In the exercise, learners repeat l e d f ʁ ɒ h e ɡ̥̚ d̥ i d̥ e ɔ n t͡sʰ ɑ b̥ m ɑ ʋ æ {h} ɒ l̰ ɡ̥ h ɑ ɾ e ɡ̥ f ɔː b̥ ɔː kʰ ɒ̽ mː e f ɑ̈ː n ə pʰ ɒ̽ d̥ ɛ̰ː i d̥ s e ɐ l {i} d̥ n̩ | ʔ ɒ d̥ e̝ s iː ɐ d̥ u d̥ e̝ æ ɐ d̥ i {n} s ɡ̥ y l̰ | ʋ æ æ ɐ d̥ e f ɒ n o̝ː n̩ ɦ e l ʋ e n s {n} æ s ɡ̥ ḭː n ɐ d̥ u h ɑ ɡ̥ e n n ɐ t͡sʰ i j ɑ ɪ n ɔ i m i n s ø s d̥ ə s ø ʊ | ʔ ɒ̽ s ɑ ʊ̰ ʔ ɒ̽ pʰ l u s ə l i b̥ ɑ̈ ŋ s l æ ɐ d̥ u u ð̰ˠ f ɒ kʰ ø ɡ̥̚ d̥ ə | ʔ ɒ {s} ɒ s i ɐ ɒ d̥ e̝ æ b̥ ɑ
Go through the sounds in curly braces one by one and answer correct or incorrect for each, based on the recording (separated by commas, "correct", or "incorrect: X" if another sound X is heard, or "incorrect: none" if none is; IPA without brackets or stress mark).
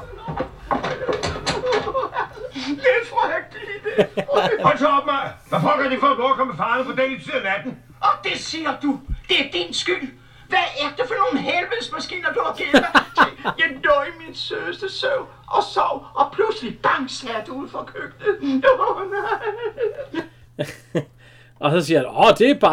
incorrect: f, incorrect: æ, correct, incorrect: m, correct